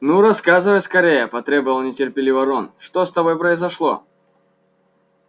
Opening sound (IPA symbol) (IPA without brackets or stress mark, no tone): n